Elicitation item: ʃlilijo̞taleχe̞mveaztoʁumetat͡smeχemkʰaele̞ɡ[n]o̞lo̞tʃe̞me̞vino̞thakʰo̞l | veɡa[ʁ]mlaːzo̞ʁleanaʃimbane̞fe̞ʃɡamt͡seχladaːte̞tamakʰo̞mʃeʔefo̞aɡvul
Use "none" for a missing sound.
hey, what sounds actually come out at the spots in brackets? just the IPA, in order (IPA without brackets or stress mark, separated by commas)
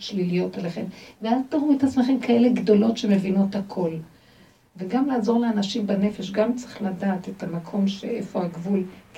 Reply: d, none